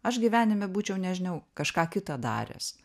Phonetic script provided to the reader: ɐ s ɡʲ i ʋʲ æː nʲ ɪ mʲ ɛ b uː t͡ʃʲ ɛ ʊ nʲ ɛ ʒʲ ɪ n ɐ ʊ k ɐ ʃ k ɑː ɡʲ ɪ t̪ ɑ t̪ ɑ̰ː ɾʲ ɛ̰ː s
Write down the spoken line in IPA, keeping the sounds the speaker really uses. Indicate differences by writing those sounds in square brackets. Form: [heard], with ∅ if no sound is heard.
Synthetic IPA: ɐ [ʃ] ɡʲ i ʋʲ æː nʲ ɪ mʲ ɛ b uː t͡ʃʲ ɛ ʊ nʲ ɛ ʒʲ ɪ n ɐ ʊ k ɐ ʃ k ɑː [kʲ] ɪ t̪ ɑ [d̪] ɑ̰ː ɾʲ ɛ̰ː s